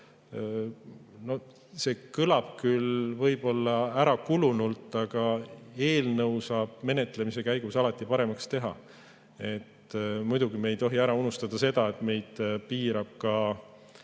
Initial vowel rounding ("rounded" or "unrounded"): rounded